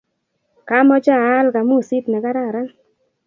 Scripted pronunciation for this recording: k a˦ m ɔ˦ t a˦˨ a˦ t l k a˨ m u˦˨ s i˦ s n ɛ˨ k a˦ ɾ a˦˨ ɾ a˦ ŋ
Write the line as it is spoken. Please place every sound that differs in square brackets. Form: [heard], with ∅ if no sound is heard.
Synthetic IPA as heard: k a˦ m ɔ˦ [t͡ʃ] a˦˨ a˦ [∅] l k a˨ m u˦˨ s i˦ [t] n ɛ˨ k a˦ ɾ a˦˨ ɾ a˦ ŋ